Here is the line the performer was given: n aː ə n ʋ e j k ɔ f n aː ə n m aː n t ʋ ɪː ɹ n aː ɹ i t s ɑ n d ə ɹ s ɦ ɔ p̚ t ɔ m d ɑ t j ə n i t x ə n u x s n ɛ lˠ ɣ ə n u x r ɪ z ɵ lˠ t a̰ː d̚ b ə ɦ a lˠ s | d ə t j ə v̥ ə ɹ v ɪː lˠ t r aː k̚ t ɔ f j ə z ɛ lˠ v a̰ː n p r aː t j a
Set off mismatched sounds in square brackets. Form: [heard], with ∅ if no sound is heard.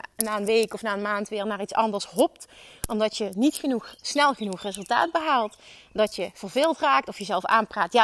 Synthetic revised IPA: n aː ə n ʋ e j k ɔ f n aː ə n m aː n t ʋ ɪː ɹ n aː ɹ i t s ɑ n d ə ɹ s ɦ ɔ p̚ t ɔ m d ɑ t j ə n i t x ə n u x s n ɛ lˠ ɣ ə n u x r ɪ z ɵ lˠ t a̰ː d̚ b ə ɦ a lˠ [t] | d [ɑ] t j ə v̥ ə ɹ v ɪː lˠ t r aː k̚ t ɔ f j ə z ɛ lˠ [f] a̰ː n p r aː t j a